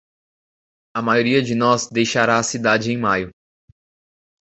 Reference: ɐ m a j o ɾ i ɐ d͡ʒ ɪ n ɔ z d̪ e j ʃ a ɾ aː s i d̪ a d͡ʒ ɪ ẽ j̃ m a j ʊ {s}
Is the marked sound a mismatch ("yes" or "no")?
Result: yes